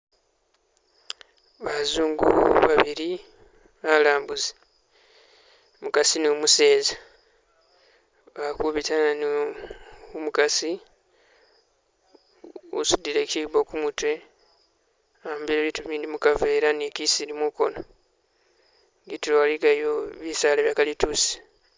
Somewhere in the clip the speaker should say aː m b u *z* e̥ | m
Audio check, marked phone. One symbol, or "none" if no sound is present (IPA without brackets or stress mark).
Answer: z